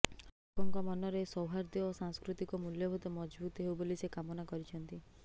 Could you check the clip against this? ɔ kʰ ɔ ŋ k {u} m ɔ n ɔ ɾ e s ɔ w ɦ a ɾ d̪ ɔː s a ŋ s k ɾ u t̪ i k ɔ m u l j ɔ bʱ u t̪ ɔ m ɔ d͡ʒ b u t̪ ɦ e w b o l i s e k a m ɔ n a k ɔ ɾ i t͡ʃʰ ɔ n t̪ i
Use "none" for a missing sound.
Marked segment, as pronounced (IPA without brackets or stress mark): ɔ